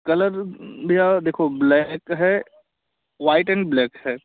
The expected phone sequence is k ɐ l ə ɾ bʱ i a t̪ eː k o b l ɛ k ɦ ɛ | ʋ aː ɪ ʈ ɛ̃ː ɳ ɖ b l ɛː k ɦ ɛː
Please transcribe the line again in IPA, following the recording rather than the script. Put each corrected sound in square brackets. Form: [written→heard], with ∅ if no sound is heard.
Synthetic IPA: k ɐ l ə ɾ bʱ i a [t̪→d̪] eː [k→kʰ] o b l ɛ k ɦ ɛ | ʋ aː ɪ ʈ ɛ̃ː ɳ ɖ b l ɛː k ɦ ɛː